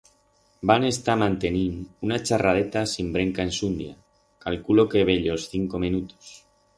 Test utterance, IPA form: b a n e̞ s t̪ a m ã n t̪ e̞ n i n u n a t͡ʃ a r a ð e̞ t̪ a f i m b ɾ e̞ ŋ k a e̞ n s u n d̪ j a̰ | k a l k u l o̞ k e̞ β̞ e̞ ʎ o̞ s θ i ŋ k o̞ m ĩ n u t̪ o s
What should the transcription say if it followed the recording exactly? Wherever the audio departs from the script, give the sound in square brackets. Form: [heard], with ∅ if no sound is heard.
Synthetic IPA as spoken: b a n e̞ s t̪ a m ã n t̪ e̞ n i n u n a t͡ʃ a r a ð e̞ t̪ a [s] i m b ɾ e̞ ŋ k a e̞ n s u n d̪ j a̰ | k a l k u l o̞ k e̞ β̞ e̞ ʎ o̞ s θ i ŋ k o̞ m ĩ n u t̪ o s

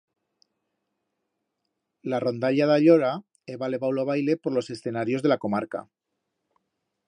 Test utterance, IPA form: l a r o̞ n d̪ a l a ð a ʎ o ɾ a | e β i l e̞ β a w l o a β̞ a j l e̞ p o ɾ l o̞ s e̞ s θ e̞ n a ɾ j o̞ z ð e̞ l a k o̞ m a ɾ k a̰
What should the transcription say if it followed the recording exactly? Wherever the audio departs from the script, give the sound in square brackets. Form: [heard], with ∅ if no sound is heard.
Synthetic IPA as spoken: l a r o̞ n d̪ a [ʎ] a ð a ʎ o ɾ a | e β [a] l e̞ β a w l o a β̞ a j l e̞ p o ɾ l o̞ s e̞ s θ e̞ n a ɾ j o̞ z ð e̞ l a k o̞ m a ɾ k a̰

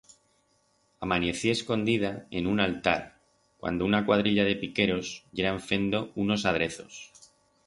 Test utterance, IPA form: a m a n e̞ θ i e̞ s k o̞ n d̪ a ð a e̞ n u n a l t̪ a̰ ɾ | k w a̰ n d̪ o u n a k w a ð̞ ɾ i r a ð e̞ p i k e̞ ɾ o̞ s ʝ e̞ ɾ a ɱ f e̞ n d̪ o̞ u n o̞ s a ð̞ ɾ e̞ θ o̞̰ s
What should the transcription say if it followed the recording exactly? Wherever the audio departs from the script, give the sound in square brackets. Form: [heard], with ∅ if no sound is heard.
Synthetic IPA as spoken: a m a n e̞ θ i e̞ s k o̞ n d̪ [i] ð a e̞ n u n a l t̪ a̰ ɾ | k w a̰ n d̪ o u n a k w a ð̞ ɾ i [ʎ] a ð e̞ p i k e̞ ɾ o̞ s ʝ e̞ ɾ a ɱ f e̞ n d̪ o̞ u n o̞ s a ð̞ ɾ e̞ θ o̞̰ s

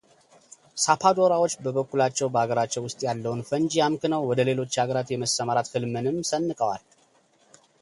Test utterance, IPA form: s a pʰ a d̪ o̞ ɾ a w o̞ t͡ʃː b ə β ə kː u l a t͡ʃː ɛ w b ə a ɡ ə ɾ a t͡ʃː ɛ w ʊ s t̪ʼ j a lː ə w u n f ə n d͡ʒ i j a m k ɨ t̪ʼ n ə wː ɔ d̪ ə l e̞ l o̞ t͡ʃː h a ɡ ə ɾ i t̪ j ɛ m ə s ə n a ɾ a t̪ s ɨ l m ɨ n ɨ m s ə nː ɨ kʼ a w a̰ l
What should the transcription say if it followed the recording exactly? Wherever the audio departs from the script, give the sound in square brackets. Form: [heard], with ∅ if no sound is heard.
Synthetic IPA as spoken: s a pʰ a d̪ o̞ ɾ a w o̞ t͡ʃː b ə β ə kː u l a t͡ʃː ɛ w b ə a ɡ ə ɾ a t͡ʃː ɛ w ʊ s t̪ʼ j a lː ə w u n f ə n d͡ʒ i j a m k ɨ [∅] n ə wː ɔ d̪ ə l e̞ l o̞ t͡ʃː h a ɡ ə ɾ [a] t̪ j ɛ m ə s ə [m] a ɾ a t̪ [f] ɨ l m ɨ n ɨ m s ə nː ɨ kʼ [ə] w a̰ l

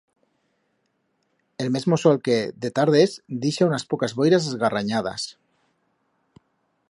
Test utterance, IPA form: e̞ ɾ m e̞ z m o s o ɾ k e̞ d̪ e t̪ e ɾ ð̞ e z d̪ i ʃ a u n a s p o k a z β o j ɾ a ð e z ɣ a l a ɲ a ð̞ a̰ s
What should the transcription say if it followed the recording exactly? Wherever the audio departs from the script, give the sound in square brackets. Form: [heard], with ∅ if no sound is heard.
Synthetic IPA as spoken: e̞ [l] m e̞ z m o s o [l] k e̞ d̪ e t̪ [a] ɾ ð̞ e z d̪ i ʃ a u n a s p o k a z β o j ɾ a [z] e z ɣ a [r] a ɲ a ð̞ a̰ s

